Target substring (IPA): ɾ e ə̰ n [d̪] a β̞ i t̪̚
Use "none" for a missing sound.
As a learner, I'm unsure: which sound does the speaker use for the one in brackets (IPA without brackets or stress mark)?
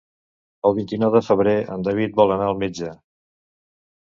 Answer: d̪